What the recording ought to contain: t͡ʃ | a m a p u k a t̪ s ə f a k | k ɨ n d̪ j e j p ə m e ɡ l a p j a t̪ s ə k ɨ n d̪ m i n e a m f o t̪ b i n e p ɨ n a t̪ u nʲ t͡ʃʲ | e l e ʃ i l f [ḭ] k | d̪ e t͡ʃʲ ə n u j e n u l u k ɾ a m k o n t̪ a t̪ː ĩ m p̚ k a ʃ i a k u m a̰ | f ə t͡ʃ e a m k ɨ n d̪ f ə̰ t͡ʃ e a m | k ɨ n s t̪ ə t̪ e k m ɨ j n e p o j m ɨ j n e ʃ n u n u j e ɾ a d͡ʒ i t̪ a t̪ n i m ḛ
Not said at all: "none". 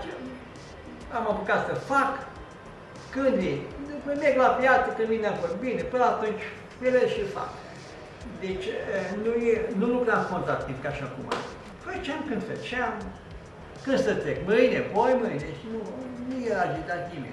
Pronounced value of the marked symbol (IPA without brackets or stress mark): a̰